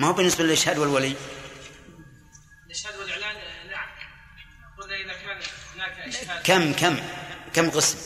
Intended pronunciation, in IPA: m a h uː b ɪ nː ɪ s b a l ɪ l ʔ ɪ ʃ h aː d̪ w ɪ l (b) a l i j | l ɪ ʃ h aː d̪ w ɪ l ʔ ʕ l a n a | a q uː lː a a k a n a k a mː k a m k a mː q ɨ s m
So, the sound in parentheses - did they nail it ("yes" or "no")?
no